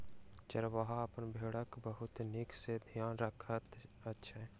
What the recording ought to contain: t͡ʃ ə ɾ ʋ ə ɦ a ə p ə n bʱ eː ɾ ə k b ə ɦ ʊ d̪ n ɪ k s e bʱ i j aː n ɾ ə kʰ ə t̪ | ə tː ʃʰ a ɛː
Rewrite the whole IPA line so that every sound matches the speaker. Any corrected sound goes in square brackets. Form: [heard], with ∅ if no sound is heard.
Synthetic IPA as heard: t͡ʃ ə ɾ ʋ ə ɦ a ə p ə n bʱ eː [ɽ] ə k b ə ɦ ʊ [t̪] n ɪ k s e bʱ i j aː n ɾ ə kʰ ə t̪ | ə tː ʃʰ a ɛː